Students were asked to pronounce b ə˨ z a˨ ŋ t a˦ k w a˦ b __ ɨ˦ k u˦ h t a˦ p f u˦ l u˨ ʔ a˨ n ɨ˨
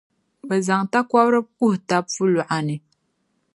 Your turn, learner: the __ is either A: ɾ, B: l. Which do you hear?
A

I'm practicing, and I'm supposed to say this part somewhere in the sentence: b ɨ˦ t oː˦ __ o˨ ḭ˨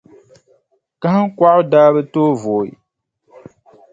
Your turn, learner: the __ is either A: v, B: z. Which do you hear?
A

